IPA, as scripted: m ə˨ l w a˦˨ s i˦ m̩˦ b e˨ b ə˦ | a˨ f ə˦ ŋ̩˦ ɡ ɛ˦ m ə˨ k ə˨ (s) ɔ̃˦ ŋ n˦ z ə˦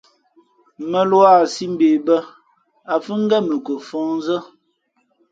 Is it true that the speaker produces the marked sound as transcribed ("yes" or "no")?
no